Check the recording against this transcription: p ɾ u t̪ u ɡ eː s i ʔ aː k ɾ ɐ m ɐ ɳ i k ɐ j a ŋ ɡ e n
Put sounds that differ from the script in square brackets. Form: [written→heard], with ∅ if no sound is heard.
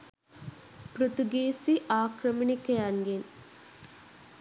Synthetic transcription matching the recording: p ɾ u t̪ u ɡ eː s i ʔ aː k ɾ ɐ m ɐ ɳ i k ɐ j a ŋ ɡ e n